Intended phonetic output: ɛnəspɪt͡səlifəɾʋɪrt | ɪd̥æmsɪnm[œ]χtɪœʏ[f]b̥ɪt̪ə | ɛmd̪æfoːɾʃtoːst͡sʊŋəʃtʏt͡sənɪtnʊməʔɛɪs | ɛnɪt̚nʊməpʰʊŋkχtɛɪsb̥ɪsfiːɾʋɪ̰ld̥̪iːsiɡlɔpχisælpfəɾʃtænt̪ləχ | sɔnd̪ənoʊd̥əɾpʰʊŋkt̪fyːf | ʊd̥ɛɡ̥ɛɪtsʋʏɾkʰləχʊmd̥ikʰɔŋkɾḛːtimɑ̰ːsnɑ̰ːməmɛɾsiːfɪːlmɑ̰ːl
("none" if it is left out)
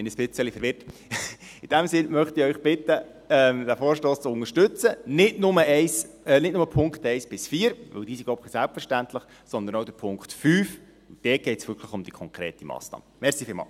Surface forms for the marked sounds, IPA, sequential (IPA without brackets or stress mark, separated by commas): œ, χ